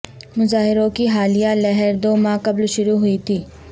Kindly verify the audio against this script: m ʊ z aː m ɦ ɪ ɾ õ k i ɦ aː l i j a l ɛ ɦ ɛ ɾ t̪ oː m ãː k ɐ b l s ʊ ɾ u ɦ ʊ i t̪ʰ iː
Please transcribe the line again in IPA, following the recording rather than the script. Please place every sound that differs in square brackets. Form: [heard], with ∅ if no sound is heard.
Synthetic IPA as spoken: m ʊ z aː [∅] ɦ ɪ ɾ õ k i ɦ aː l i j a l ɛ ɦ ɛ ɾ [d̪] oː m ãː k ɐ b l [ʃ] ʊ ɾ u ɦ ʊ i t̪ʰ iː